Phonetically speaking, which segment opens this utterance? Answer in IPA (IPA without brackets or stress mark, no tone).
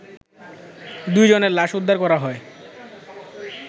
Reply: d̪